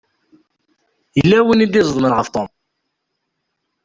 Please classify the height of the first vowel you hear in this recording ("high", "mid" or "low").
mid